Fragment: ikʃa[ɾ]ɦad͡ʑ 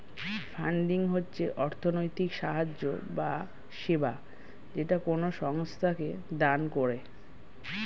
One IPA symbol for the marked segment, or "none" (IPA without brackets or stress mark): none